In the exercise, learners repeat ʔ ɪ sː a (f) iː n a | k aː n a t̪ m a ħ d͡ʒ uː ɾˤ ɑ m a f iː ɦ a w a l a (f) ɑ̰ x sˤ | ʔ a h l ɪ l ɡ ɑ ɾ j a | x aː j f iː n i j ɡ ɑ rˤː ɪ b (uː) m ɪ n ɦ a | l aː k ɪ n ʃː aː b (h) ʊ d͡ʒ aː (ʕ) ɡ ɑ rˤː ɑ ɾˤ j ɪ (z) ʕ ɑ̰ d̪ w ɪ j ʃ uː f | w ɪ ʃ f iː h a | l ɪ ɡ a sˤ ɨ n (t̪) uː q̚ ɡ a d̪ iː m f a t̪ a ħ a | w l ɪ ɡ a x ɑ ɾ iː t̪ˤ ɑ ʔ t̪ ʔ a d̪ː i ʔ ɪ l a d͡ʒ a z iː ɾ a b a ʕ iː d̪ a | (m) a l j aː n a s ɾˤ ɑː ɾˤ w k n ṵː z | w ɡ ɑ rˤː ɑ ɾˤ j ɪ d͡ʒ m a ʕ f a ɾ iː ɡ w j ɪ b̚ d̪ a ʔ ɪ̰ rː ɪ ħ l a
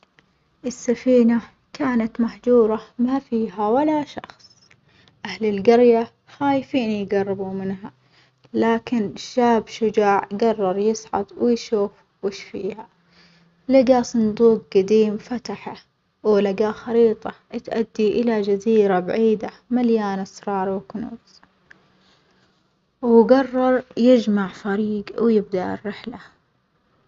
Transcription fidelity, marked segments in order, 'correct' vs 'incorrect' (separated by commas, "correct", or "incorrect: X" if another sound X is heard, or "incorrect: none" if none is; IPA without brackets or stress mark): correct, incorrect: ʃ, incorrect: u, incorrect: ʃ, correct, incorrect: s, incorrect: d̪, correct